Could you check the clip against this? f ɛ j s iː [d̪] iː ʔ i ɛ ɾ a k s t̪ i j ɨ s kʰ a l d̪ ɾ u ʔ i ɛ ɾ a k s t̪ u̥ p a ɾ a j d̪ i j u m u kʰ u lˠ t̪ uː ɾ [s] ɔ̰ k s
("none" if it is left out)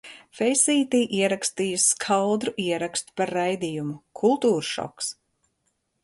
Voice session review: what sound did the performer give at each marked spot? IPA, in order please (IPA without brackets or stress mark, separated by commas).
t̪, ʃ